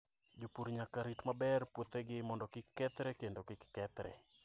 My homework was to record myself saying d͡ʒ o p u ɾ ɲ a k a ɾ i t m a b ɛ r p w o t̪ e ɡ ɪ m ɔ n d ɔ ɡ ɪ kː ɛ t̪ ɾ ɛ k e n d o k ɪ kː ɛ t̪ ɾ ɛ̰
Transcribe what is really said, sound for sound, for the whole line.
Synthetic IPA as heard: d͡ʒ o p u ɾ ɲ a k a ɾ i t m a b ɛ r p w o t̪ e ɡ ɪ m ɔ n d ɔ k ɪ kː ɛ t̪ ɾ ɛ k e n d o k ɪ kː ɛ t̪ ɾ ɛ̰